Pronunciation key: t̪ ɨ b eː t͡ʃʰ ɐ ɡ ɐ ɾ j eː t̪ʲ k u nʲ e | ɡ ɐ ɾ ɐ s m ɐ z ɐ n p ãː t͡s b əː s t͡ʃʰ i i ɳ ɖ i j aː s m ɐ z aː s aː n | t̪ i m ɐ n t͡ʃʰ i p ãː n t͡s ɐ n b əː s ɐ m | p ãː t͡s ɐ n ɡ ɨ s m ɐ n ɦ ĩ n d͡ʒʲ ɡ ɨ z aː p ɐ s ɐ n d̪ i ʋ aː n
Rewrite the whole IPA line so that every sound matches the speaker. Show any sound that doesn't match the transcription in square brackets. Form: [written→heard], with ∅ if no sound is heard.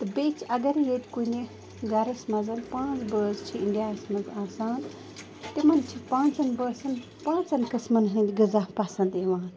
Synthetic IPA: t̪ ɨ b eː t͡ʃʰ ɐ ɡ ɐ ɾ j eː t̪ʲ k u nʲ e | ɡ ɐ ɾ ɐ s m ɐ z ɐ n p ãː t͡s b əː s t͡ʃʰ i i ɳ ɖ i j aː s m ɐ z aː s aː n | t̪ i m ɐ n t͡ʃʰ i p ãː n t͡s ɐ n b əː s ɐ [m→n] | p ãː t͡s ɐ n [ɡ→k] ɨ s m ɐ n ɦ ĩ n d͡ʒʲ ɡ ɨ z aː p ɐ s ɐ n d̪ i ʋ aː n